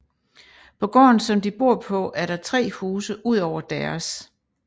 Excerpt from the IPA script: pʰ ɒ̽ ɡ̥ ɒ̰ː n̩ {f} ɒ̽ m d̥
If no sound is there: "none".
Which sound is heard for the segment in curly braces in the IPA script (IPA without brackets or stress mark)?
s